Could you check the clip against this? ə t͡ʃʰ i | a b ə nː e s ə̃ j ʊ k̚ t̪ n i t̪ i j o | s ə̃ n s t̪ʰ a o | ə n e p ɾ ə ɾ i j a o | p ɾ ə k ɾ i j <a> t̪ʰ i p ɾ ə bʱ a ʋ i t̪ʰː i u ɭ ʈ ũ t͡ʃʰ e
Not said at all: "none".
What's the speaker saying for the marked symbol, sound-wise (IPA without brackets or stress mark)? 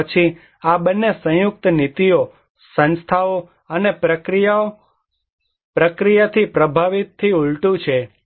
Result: a